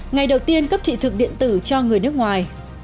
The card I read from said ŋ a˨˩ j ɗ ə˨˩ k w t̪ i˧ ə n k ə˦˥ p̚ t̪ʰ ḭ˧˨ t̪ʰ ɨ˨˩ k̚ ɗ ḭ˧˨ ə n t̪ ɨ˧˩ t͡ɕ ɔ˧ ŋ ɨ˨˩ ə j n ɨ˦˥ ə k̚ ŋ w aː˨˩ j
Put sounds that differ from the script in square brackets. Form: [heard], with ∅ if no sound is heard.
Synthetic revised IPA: ŋ a˨˩ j ɗ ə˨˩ [∅] w t̪ i˧ ə n k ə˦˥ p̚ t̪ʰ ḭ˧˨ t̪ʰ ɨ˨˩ k̚ ɗ ḭ˧˨ ə n t̪ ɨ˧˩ t͡ɕ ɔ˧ ŋ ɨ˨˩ ə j n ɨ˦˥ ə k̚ ŋ w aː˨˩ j